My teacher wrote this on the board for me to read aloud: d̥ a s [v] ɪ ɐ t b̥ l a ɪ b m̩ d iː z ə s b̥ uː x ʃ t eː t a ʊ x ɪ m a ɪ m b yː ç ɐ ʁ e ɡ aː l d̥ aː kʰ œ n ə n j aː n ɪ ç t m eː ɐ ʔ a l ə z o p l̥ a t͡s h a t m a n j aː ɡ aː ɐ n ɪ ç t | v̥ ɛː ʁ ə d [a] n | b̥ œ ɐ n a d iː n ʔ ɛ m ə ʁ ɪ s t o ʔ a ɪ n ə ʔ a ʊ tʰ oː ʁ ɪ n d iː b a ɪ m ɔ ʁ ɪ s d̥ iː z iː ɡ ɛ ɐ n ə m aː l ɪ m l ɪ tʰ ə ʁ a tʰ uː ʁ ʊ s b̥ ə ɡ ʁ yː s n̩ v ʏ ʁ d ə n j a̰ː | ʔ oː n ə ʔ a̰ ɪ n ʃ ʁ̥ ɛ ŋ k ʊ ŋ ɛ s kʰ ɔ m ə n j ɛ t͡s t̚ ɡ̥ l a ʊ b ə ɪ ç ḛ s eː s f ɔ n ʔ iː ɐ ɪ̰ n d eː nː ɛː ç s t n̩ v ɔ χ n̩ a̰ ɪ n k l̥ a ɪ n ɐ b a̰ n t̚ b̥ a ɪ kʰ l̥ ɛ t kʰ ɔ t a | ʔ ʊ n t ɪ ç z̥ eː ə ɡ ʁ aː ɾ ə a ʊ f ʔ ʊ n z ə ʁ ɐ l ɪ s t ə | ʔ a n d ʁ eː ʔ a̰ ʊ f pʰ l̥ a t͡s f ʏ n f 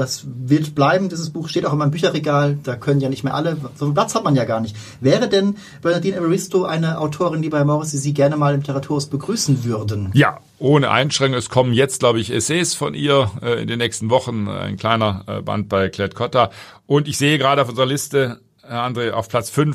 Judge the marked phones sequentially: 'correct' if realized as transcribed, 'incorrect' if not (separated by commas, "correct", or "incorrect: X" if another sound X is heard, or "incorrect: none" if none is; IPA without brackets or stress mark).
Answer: correct, incorrect: ɛ